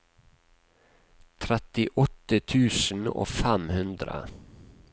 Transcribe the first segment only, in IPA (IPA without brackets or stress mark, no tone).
t̪ʰ